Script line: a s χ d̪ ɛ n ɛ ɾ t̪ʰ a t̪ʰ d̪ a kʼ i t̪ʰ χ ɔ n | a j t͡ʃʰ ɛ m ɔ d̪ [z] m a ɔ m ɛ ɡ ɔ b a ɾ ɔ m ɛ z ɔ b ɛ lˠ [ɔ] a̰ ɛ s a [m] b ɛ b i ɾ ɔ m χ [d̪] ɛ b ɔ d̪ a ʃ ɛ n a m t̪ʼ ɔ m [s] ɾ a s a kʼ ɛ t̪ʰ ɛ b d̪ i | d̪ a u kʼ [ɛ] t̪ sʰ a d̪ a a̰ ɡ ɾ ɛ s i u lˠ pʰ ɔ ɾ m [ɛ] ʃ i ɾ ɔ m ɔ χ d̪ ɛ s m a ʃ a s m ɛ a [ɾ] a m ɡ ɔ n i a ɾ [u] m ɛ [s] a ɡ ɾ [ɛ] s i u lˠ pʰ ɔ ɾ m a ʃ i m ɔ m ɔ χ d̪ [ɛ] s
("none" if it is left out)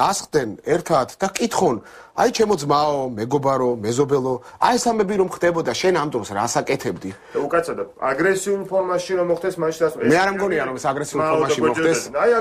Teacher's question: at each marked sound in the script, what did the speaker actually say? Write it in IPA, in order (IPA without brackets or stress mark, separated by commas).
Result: z, ɔ, m, d̪, s, a, a, ɾ, ɔ, s, ɛ, ɛ